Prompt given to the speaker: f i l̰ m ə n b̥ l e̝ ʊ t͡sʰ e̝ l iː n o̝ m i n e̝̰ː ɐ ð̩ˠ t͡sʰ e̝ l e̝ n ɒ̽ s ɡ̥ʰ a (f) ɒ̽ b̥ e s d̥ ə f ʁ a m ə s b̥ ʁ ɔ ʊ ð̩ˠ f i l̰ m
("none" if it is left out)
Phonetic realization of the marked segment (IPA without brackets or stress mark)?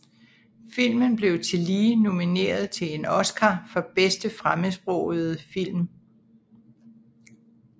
f